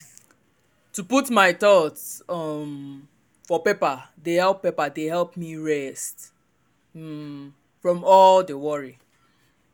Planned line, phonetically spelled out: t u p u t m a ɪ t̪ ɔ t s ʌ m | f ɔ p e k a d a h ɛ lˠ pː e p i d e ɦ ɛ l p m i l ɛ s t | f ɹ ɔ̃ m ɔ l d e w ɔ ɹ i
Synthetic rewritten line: t u p u t m a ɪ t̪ ɔ t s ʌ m | f ɔ p e p a d e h ɛ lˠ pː e p a d e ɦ ɛ l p m i ɹ ɛ s t | f ɹ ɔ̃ m ɔ l d e w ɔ ɹ i